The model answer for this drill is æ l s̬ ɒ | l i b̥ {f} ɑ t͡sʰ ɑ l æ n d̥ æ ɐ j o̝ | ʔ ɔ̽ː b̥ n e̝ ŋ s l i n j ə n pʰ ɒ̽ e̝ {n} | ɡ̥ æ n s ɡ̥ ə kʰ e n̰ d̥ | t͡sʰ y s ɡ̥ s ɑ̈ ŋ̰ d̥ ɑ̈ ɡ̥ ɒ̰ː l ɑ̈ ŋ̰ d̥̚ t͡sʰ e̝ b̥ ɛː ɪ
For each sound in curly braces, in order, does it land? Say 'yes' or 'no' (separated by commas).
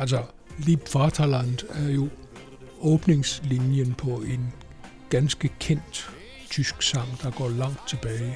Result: yes, yes